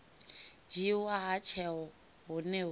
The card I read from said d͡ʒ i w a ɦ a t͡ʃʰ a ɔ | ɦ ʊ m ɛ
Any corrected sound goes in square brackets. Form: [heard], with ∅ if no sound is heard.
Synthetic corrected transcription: d͡ʒ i w a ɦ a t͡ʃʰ [ɛ] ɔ | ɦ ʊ [n] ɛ